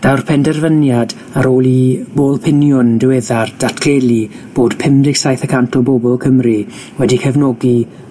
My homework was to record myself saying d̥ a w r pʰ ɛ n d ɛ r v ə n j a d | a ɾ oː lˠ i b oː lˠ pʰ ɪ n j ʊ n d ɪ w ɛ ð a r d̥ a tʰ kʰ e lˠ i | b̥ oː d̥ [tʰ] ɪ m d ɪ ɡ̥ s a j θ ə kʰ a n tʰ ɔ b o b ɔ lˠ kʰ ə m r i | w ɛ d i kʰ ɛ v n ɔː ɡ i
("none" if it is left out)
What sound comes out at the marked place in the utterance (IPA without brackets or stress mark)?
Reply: pʰ